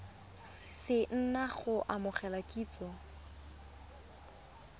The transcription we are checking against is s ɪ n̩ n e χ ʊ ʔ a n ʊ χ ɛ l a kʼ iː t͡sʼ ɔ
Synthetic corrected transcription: s ɪ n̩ n a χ ʊ ʔ a m ʊ χ ɛ l a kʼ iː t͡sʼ ɔ

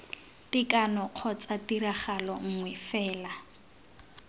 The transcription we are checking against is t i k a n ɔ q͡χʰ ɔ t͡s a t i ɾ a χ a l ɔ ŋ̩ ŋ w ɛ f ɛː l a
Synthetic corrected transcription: t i k a n ɔ q͡χʰ ɔ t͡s a t i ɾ a χ a l ɔ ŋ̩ ŋ w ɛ f ɛː l a

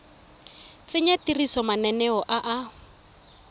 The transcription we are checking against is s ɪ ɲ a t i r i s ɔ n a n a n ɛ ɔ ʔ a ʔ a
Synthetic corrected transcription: t͡s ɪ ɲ a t i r i s ɔ m a n ɛ n ɛ ɔ ʔ a ʔ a

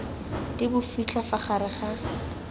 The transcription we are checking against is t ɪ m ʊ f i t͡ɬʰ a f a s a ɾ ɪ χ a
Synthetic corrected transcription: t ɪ b ʊ f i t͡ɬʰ a f a χ a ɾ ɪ χ a

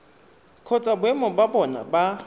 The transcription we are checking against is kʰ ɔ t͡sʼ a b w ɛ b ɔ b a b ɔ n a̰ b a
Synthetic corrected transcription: kʰ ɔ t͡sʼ a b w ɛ m ɔ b a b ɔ n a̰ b a

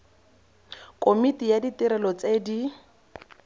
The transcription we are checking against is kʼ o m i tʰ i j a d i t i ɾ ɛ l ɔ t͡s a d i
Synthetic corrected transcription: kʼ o m i t i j a d i t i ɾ ɛ l ɔ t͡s e d i

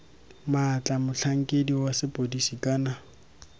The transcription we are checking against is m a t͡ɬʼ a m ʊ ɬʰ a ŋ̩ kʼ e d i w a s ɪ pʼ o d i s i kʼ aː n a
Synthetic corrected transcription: m a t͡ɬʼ a m ʊ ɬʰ a ŋ̩ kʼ e d i w a s ɪ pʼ o d i s i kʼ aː n a

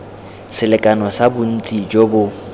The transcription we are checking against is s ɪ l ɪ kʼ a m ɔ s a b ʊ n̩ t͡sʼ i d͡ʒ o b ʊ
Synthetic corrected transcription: s ɪ l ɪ kʼ a n ɔ s a b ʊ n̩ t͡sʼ i d͡ʒ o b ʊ

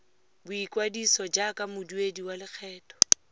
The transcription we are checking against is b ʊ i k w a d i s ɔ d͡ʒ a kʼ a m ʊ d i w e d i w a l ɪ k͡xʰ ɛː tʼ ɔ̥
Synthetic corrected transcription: b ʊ i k w a d i s ɔ d͡ʒ a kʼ a m ʊ d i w e d i w a l ɪ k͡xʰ ɛː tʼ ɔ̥

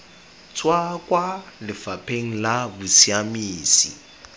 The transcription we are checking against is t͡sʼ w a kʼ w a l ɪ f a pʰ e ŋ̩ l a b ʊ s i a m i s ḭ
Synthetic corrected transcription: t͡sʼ w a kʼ w a l ɪ f a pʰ e ŋ̩ l a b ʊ s i a m iː s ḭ

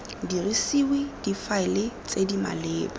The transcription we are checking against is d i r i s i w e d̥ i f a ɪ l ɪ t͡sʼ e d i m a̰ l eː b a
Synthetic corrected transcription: d i r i s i w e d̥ i f a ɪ l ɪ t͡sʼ e d i m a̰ l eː b a

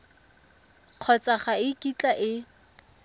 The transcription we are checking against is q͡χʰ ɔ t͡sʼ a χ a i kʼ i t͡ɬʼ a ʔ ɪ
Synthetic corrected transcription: q͡χʰ ɔ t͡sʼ a χ a ɪ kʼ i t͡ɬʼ a ʔ ɪ

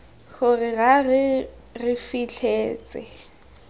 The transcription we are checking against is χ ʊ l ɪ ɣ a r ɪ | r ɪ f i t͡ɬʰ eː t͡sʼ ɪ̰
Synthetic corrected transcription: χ ʊ r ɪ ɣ a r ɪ | r ɪ f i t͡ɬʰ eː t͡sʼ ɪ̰

